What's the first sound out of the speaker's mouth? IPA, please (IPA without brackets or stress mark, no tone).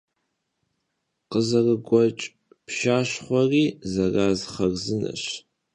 q